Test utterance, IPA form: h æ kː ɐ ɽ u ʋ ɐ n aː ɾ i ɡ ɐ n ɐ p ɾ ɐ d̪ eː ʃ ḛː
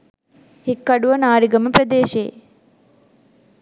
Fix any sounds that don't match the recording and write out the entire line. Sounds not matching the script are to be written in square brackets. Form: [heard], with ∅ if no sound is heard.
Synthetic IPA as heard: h [i] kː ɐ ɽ u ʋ ɐ n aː ɾ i ɡ ɐ [m] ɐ p ɾ ɐ d̪ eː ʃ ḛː